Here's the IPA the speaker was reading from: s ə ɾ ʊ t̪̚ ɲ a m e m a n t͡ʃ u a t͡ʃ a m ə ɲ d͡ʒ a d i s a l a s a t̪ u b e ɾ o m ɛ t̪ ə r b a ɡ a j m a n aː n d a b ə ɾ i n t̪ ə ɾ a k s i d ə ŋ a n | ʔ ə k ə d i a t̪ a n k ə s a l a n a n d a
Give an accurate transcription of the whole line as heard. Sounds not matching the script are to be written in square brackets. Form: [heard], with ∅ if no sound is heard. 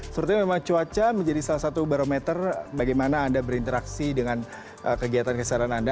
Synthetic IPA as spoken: s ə ɾ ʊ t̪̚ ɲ a m e m a [ŋ] t͡ʃ u a t͡ʃ a m ə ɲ d͡ʒ a d i s a l a s a t̪ u b [a] ɾ o m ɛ t̪ ə r b a ɡ a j m a n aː n d a b ə ɾ i n t̪ ə ɾ a k s i d ə ŋ a n | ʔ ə k ə [ɡ] i a t̪ a n k ə s a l a n a n d a